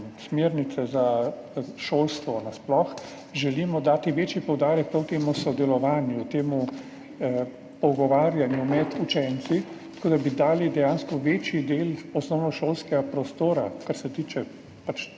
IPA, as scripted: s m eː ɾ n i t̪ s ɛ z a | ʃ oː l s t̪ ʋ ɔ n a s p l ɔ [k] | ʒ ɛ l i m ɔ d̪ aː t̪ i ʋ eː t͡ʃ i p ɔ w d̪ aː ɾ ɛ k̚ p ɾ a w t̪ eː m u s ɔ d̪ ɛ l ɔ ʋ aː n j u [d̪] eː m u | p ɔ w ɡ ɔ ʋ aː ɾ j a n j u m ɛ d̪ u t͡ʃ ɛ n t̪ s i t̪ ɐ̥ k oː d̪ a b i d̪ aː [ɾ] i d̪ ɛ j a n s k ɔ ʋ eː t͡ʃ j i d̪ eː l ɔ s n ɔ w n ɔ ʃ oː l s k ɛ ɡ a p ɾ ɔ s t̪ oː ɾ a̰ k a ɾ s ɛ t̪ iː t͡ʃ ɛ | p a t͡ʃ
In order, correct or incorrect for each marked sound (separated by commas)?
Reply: incorrect, incorrect, incorrect